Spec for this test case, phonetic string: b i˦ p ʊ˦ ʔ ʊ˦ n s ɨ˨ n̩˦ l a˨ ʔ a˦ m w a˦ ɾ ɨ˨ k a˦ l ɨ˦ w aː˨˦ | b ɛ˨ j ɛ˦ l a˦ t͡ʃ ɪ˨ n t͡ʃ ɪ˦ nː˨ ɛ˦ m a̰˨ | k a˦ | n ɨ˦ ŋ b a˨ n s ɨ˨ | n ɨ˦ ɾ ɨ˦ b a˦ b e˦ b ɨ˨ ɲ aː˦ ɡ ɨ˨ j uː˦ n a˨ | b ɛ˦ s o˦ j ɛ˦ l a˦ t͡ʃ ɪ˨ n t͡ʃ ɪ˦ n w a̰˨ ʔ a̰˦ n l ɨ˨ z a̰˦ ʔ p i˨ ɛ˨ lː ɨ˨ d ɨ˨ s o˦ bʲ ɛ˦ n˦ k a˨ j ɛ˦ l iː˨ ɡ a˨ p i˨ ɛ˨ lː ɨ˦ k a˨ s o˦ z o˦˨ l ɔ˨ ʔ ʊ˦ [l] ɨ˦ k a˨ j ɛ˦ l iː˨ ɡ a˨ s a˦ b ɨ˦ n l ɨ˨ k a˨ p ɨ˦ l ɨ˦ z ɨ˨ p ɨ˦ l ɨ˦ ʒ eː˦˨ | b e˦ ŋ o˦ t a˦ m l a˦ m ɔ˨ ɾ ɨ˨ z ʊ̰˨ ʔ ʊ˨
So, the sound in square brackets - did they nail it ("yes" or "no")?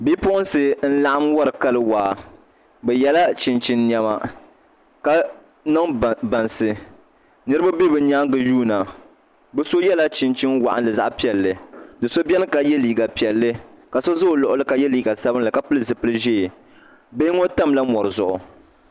yes